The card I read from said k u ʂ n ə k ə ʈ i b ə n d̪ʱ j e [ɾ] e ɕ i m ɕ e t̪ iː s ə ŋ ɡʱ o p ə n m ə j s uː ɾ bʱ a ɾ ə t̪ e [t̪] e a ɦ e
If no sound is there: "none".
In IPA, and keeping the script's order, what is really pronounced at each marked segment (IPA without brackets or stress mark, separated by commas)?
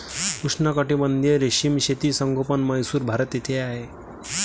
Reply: ɾ, t̪ʰ